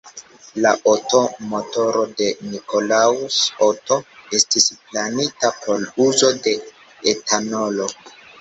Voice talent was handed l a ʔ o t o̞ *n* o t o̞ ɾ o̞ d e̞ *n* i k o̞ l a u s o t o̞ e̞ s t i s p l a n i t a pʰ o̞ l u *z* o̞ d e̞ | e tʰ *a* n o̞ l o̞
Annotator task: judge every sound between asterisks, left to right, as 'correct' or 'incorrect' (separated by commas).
incorrect, correct, correct, correct